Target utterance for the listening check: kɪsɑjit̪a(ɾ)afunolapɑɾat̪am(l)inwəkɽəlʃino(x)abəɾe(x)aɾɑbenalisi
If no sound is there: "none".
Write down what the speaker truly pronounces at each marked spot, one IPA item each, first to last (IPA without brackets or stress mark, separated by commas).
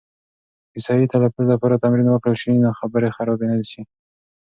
l, ɾ, x, x